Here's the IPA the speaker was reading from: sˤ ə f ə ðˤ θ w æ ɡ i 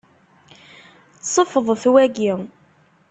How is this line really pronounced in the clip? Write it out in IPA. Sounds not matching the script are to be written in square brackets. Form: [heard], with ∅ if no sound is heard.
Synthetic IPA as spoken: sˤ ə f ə ðˤ θ w æ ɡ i

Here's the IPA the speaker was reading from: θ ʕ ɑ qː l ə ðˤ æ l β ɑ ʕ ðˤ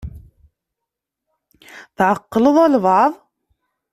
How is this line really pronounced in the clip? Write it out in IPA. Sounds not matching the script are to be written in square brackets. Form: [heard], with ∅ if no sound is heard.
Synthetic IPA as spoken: θ ʕ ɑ qː l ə ðˤ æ l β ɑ ʕ ðˤ

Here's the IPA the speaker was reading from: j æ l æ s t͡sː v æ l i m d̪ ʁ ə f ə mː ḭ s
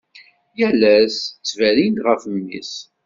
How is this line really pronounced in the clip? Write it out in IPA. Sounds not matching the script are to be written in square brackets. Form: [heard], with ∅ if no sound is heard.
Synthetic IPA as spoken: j æ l æ s t͡sː v æ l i [n] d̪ ʁ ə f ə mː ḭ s

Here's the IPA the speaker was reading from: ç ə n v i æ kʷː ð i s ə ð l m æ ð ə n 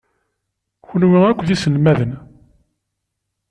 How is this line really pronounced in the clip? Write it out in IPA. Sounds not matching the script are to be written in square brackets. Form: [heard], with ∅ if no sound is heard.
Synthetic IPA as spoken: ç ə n [w] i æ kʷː ð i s ə [∅] l m æ ð ə n

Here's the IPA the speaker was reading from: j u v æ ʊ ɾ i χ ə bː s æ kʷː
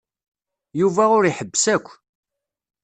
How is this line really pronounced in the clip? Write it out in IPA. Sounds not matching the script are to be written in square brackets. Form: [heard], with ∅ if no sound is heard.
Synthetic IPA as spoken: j u v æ ʊ ɾ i [ħ] ə bː s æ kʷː

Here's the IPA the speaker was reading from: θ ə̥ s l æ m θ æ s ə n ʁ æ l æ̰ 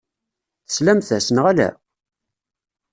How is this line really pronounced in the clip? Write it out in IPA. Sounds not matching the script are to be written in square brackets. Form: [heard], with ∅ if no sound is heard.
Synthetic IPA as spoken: θ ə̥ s l æ m θ æ s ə n ʁ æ l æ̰

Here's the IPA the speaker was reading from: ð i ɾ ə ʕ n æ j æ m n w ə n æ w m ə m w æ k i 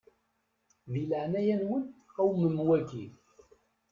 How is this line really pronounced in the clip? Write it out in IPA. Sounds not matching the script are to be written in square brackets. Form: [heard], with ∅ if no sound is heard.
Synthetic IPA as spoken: ð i [l] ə ʕ n æ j æ [∅] n w ə n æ w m ə m w æ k i

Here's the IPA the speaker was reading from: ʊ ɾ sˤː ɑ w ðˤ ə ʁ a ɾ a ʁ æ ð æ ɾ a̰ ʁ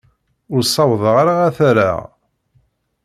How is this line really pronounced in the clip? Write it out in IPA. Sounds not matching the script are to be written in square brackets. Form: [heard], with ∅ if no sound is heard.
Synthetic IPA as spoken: ʊ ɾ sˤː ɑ w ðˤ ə ʁ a ɾ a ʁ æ [θ] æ ɾ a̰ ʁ

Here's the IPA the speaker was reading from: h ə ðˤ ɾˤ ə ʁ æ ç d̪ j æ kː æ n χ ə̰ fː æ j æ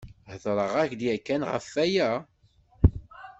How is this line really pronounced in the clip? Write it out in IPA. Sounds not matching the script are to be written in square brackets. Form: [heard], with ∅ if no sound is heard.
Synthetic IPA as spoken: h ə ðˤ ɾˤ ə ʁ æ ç d̪ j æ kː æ n [ʁ] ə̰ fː æ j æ

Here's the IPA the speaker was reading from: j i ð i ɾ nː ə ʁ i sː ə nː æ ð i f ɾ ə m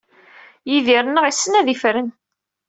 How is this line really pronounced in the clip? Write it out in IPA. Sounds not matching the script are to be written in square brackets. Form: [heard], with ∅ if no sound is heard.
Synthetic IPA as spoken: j i ð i ɾ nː ə ʁ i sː ə [n] æ ð i f ɾ ə [n]

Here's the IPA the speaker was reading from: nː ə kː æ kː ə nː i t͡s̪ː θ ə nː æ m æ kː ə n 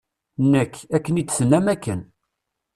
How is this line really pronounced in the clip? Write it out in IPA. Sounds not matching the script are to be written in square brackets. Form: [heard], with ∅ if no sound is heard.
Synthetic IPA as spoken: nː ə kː æ kː ə [n] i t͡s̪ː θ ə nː æ m æ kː ə n

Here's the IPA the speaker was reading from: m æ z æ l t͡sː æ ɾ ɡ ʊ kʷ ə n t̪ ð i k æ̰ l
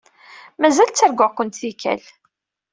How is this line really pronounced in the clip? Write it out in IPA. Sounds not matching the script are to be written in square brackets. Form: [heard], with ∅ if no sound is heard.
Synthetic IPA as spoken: m æ z æ l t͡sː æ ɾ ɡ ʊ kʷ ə n t̪ [θ] i k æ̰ l

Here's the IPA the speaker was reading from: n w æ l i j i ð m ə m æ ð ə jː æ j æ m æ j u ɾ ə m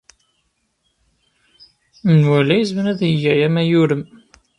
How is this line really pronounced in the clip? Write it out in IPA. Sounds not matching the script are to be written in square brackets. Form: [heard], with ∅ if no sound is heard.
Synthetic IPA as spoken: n w æ l [æ] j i [z] m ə [n] æ ð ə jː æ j æ m æ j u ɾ ə m

